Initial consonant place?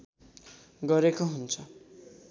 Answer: velar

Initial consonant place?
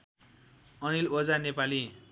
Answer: alveolar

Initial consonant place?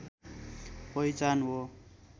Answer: labial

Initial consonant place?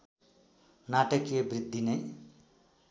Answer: alveolar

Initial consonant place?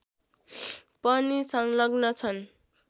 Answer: labial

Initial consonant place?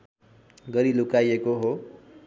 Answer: velar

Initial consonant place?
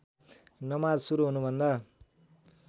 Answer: alveolar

